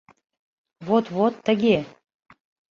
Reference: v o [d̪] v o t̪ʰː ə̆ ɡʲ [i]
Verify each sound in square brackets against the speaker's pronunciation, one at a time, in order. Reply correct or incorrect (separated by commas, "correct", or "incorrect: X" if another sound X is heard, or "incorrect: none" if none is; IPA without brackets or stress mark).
incorrect: t̪, incorrect: e